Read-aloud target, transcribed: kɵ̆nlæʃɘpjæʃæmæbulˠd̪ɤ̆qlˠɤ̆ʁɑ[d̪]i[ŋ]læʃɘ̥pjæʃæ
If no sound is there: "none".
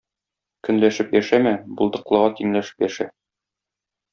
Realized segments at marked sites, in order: t̪, ŋ

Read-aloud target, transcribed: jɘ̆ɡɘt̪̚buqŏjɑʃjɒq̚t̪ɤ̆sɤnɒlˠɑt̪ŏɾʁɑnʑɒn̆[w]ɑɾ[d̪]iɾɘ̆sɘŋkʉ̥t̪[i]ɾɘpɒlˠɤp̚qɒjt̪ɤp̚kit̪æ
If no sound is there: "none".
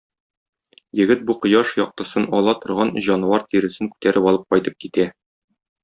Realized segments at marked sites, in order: w, t̪, æ

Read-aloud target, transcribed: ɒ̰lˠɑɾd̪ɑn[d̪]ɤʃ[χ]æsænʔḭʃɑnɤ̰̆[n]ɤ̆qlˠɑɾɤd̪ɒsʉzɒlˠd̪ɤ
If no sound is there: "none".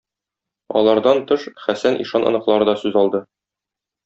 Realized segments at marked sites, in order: t̪, χ, n

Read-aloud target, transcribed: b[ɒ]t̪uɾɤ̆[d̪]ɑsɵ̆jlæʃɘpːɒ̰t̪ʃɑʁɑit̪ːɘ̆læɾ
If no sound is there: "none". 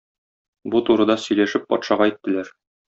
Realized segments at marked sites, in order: u, d̪

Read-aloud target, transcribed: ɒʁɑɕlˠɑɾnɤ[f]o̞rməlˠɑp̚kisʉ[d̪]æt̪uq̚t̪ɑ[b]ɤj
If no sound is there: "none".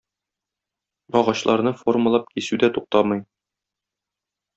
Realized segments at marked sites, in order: f, d̪, m

